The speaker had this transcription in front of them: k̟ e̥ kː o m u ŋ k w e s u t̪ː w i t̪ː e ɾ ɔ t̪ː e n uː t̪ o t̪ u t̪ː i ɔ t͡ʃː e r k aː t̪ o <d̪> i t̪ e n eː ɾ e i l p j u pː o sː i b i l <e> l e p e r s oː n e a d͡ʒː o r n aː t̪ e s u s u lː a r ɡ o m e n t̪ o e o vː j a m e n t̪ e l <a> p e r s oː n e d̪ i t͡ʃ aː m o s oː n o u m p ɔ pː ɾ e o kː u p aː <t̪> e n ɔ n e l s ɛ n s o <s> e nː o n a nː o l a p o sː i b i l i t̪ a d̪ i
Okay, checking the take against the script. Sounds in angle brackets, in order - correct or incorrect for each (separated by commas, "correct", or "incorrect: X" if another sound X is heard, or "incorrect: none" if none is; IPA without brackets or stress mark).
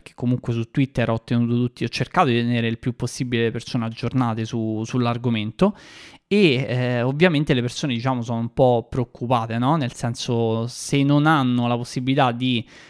correct, correct, incorrect: e, correct, correct